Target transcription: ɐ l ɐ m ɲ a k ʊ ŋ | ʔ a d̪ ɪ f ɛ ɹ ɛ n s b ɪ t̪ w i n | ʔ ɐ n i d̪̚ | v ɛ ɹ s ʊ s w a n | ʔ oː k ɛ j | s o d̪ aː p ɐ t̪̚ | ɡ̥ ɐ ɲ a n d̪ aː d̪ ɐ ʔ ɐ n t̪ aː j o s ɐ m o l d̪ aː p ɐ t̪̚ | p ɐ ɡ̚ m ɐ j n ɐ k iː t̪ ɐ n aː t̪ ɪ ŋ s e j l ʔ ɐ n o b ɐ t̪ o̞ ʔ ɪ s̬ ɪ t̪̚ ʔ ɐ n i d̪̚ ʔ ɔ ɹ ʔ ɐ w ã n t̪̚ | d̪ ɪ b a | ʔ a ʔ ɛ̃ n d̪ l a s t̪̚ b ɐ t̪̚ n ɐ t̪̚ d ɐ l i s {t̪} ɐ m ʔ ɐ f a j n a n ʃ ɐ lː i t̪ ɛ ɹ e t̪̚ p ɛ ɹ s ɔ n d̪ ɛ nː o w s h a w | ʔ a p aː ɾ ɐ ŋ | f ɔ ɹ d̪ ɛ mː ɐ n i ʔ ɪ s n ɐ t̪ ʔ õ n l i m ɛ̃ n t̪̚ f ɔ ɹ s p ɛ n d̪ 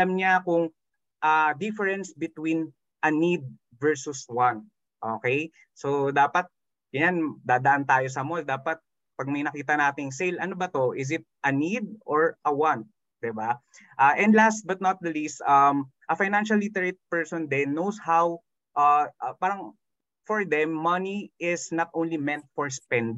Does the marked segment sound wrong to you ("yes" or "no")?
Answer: no